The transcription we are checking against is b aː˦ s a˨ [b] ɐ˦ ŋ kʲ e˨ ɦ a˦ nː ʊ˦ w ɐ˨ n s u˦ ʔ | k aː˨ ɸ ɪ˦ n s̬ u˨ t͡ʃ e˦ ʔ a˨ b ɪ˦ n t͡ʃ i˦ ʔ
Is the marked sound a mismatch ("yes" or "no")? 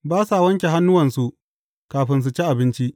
yes